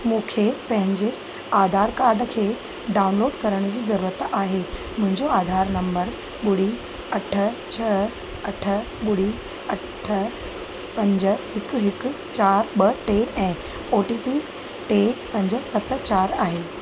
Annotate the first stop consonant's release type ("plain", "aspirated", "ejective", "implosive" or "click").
aspirated